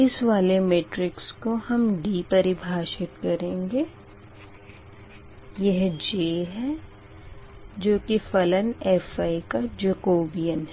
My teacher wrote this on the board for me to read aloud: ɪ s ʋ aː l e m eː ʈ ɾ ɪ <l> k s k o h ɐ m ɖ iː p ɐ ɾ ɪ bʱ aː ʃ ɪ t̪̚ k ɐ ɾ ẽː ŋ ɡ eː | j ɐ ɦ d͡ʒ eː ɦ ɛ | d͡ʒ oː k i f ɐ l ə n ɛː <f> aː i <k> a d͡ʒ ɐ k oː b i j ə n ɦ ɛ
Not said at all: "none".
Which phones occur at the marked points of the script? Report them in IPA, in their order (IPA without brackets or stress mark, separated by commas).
none, f, k